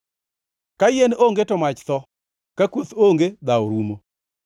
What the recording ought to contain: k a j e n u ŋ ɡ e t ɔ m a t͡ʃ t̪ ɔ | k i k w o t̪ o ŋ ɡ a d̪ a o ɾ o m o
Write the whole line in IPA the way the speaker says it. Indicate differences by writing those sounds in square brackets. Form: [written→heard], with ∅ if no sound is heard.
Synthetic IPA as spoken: k a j e n [u→o] ŋ ɡ e t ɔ m a t͡ʃ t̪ ɔ | k [i→a] k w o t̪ o ŋ ɡ [a→e] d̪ a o ɾ [o→u] m o

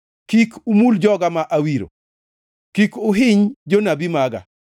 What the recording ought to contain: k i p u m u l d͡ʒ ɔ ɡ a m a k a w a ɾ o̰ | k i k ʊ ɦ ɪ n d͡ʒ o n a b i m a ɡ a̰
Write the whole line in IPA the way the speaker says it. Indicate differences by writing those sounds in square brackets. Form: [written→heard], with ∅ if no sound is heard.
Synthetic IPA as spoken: k i [p→k] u m u l d͡ʒ ɔ ɡ a m a [k→ʔ] a w [a→i] ɾ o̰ | k i k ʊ ɦ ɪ [n→ɲ] d͡ʒ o n a b i m a ɡ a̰

